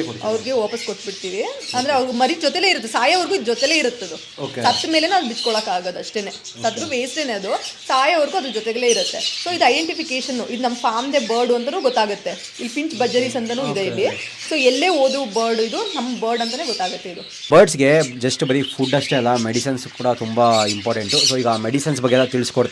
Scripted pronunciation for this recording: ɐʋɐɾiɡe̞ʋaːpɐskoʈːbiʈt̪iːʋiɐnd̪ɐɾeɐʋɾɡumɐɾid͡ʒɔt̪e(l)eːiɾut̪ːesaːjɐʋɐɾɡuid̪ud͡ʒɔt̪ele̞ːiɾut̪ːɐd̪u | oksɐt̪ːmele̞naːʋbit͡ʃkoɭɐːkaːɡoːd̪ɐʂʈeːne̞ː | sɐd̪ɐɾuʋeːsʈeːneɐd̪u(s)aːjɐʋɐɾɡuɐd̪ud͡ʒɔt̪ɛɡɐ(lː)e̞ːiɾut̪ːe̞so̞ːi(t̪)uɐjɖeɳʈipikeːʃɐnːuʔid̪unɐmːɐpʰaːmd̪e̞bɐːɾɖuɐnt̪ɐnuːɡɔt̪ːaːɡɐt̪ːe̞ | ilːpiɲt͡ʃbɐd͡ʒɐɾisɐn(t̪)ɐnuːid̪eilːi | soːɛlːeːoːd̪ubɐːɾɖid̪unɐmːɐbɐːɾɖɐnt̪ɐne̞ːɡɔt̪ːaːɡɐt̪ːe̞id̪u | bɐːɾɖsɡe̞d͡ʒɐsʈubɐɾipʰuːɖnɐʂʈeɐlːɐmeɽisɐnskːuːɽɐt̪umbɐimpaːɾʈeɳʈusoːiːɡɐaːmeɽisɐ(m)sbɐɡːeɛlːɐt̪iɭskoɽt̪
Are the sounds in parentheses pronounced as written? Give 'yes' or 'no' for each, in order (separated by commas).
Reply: yes, yes, no, no, yes, no